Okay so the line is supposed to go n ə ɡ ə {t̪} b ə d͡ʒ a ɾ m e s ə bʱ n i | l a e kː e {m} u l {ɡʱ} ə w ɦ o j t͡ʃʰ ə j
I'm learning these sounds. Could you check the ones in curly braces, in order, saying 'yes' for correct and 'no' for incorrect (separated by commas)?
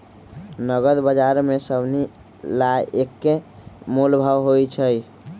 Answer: no, yes, no